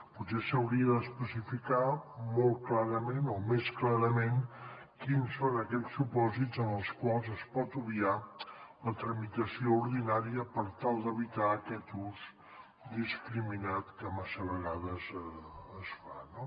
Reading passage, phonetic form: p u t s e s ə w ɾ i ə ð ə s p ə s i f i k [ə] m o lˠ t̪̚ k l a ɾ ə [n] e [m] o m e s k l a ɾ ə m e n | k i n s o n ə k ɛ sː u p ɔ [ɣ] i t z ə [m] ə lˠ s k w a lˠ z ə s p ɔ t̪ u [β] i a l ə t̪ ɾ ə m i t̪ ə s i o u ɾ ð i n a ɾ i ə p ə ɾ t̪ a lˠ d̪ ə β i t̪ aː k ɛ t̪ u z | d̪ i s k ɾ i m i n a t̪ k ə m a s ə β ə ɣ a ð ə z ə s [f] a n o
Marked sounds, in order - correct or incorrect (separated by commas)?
incorrect, incorrect, incorrect, incorrect, incorrect, correct, correct